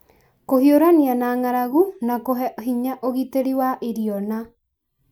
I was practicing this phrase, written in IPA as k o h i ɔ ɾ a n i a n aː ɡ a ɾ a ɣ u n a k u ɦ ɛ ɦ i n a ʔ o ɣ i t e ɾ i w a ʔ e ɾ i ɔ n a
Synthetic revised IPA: k o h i o ɾ a n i a n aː ŋ a ɾ a ɣ u n a k o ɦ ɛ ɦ i ɲ a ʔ o ɣ i t e ɾ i w a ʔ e ɾ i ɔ n a